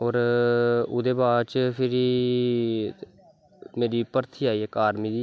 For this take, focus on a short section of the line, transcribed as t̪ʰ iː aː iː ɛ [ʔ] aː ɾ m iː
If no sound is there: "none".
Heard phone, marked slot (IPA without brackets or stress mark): k